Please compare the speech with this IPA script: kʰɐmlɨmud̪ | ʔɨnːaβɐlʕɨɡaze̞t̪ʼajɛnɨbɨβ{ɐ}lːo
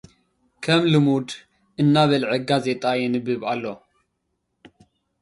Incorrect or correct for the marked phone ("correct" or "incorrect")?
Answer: incorrect